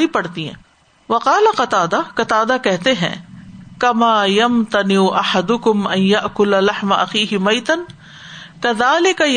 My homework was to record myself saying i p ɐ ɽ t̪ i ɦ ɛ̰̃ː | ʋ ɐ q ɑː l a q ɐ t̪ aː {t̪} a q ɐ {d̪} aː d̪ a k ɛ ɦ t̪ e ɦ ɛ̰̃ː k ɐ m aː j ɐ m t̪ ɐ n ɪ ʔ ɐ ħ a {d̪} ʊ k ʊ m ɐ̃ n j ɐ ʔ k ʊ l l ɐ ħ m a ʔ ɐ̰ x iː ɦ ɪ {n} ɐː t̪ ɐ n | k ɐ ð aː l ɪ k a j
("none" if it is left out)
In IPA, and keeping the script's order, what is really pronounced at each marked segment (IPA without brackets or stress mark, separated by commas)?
d̪, t̪, d̪, m